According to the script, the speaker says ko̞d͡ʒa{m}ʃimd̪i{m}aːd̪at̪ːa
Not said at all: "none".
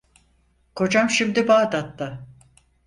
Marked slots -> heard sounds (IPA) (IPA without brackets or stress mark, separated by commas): m, b